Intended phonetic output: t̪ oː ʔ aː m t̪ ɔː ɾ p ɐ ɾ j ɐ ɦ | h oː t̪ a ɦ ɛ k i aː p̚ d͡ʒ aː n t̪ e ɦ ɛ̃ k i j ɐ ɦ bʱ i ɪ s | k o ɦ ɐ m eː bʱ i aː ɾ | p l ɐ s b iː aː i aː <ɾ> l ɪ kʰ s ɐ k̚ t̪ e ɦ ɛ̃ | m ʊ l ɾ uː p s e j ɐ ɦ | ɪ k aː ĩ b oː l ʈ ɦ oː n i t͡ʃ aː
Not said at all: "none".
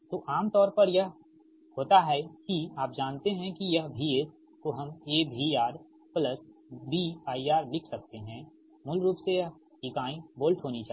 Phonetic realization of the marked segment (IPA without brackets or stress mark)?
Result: ɾ